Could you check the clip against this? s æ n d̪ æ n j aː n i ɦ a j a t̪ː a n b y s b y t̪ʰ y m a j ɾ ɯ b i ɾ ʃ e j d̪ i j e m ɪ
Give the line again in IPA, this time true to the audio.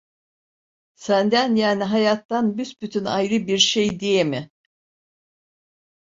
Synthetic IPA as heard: s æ n d̪ æ n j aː n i ɦ a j a t̪ː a n b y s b y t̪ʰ y n a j ɾ ɯ b i ɾ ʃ e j d̪ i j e m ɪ